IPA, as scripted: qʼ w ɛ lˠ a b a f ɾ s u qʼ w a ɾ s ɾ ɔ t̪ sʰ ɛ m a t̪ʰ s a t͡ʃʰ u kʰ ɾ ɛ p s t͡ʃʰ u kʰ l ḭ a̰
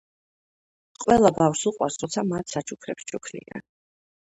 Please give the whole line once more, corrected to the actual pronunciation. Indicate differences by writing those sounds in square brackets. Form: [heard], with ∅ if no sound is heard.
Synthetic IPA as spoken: qʼ w ɛ lˠ a b a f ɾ s u qʼ w a ɾ s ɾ ɔ t̪ sʰ [a] m a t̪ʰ s a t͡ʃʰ u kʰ ɾ ɛ p s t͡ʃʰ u kʰ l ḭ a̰